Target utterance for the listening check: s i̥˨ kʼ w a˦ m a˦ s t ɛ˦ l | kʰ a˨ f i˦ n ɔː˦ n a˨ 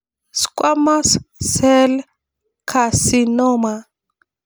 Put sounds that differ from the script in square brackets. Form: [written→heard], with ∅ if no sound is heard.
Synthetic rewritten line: s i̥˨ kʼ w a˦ m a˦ s [t→s] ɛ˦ l | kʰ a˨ [f→s] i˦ n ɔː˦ [n→m] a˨